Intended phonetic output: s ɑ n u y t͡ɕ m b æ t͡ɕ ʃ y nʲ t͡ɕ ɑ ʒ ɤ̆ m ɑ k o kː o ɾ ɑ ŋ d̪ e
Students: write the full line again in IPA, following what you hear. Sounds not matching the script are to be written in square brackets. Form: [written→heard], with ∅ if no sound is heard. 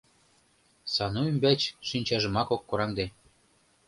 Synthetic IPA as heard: s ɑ n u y [t͡ɕ→∅] m b æ t͡ɕ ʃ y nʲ t͡ɕ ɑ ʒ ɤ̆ m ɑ k o kː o ɾ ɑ ŋ d̪ e